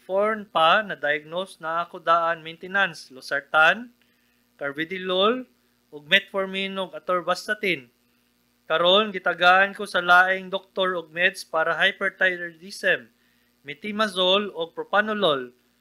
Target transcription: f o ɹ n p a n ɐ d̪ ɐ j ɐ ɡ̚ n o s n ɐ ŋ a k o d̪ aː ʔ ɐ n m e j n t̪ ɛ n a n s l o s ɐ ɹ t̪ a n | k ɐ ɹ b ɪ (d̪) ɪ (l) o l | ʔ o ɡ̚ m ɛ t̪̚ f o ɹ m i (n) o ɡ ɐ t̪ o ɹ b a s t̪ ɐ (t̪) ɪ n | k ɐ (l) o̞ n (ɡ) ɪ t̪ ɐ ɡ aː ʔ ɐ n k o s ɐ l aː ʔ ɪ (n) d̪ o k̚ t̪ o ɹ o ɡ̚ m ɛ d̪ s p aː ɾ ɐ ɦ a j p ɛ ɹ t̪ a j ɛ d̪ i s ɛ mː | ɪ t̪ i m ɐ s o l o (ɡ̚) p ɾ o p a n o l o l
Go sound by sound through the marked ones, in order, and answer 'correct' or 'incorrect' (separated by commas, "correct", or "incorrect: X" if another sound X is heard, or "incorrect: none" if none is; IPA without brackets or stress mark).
correct, correct, correct, correct, incorrect: ɾ, correct, incorrect: ŋ, correct